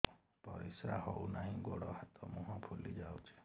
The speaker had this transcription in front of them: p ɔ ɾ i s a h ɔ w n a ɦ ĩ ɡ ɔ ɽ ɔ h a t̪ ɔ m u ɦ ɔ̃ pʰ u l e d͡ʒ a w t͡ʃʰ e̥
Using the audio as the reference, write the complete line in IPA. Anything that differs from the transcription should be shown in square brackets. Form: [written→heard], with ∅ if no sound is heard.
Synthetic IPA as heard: p ɔ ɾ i s a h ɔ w n a ɦ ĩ ɡ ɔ ɽ ɔ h a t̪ ɔ m u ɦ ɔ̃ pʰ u l [e→i] d͡ʒ a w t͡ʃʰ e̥